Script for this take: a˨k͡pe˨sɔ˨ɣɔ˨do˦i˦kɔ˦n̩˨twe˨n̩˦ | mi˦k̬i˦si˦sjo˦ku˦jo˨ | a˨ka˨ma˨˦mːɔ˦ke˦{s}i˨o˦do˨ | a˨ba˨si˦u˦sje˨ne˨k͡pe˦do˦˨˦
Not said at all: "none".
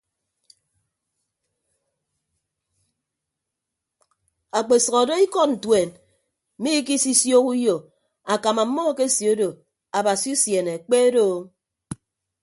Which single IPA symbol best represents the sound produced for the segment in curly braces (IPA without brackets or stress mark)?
s